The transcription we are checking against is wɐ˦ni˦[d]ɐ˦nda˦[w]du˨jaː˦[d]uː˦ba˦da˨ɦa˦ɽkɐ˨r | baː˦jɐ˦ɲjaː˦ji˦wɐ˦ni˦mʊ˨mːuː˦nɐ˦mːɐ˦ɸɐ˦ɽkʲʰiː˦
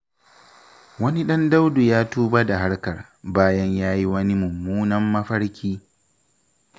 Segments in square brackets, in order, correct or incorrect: incorrect: ɗ, correct, incorrect: t

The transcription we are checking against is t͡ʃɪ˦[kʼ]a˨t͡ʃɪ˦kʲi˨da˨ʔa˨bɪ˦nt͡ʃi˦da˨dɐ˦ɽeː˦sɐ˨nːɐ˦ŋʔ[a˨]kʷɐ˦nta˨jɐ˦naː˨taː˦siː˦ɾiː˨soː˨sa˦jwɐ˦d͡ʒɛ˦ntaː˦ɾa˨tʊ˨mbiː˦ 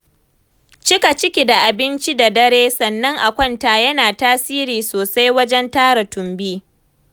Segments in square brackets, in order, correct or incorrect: incorrect: k, correct

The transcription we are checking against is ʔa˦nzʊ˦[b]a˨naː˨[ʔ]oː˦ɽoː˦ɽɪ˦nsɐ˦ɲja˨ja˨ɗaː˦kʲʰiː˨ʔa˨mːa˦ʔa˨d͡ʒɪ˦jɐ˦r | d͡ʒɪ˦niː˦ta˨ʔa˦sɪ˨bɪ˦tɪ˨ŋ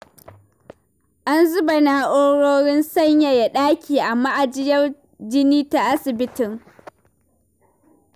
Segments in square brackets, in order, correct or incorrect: correct, correct

